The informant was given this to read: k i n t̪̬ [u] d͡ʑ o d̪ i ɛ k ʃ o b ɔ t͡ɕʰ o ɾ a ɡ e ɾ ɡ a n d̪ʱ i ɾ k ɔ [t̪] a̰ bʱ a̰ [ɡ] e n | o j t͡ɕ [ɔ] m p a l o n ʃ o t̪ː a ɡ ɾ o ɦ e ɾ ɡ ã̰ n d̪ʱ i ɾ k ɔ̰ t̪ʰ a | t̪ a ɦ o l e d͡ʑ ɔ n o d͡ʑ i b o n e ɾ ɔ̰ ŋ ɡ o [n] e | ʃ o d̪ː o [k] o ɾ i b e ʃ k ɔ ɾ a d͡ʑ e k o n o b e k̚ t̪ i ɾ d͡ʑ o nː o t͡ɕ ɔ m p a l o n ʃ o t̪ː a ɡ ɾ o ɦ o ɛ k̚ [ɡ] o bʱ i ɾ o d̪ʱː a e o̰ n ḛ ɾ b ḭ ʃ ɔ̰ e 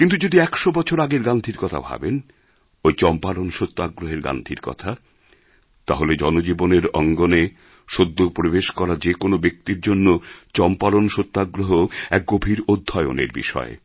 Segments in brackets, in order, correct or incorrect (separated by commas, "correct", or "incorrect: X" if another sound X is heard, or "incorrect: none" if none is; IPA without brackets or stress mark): correct, incorrect: t̪ʰ, incorrect: b, correct, correct, incorrect: p, correct